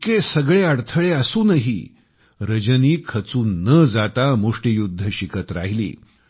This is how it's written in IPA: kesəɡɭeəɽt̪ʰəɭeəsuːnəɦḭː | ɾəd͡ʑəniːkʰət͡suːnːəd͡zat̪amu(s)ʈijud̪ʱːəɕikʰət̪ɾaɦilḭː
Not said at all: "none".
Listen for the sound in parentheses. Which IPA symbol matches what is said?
ʂ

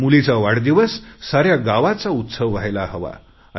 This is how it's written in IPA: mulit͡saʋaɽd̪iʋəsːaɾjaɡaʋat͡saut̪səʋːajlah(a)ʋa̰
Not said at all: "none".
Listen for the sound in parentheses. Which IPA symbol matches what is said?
ə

